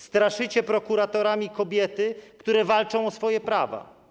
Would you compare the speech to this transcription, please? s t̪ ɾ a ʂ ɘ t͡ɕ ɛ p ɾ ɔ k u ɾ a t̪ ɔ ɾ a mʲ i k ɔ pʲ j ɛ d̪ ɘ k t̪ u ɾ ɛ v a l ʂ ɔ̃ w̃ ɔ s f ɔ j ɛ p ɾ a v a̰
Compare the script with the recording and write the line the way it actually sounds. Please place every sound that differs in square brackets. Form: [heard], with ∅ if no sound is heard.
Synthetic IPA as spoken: s t̪ ɾ a ʂ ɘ t͡ɕ ɛ p ɾ ɔ k u ɾ a t̪ ɔ ɾ a mʲ i k ɔ [bʲ] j ɛ [t̪] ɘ k t̪ u ɾ ɛ v a l [t͡ʂ] ɔ̃ w̃ ɔ s f ɔ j ɛ p ɾ a v a̰